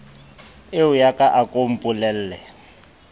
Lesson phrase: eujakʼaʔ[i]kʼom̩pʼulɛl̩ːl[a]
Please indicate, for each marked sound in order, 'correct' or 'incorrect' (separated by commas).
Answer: incorrect, incorrect